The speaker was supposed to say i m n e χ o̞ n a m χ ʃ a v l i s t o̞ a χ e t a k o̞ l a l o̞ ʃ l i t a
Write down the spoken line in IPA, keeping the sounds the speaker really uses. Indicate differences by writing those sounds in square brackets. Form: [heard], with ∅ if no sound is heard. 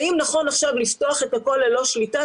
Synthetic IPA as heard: i m n [a] χ o̞ n a [∅] χ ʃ a v l i [f] t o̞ a χ e t a k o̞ l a l o̞ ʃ l i t a